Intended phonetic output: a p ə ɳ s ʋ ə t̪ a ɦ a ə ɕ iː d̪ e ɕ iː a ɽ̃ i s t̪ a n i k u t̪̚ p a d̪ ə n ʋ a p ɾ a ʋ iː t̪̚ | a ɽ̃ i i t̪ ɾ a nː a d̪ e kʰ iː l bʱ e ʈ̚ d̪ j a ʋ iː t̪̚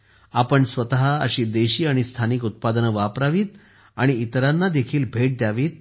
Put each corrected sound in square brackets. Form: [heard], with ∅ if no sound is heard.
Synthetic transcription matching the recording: a p ə ɳ s ʋ ə t̪ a ɦ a ə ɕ iː d̪ e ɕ iː a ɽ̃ i s [t̪ʰ] a n i k u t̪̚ p a d̪ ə n ʋ a p ɾ a ʋ iː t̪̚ | a ɽ̃ i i t̪ ɾ a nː a d̪ e kʰ iː l bʱ e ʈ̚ d̪ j a ʋ iː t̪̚